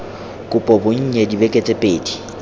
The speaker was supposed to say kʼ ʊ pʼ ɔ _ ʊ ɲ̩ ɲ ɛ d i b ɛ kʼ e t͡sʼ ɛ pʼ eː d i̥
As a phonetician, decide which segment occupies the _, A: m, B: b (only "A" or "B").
B